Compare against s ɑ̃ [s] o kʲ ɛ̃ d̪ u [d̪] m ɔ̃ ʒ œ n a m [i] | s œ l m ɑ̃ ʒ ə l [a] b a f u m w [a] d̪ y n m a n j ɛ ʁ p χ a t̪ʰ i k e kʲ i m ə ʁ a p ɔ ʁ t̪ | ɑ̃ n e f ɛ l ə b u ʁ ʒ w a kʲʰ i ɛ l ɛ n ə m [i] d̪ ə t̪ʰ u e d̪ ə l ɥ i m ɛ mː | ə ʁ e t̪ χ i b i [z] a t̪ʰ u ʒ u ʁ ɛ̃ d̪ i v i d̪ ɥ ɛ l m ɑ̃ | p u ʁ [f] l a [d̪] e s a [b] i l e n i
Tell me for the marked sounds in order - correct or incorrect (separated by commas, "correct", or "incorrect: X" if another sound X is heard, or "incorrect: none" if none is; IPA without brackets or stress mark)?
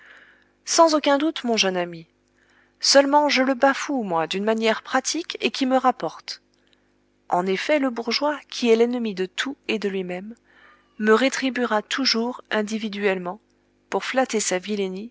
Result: incorrect: z, incorrect: t̪, correct, incorrect: ə, correct, correct, incorrect: ʁ, correct, incorrect: t̪, incorrect: v